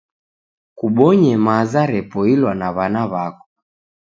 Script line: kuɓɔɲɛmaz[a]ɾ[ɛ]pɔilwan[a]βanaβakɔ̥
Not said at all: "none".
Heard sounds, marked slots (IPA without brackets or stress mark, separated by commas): a, ɛ, a